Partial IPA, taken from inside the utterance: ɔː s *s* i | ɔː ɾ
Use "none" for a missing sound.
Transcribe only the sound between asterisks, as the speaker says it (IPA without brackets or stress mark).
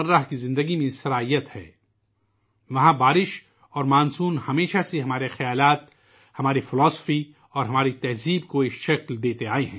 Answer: f